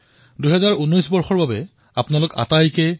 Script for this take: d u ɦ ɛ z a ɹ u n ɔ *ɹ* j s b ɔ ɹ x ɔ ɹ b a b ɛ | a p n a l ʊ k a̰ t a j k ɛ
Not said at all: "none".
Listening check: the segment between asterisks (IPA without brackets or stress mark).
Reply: none